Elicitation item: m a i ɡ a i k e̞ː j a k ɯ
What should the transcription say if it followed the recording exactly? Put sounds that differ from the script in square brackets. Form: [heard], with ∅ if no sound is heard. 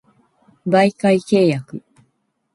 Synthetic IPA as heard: [b] a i [k] a i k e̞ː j a k ɯ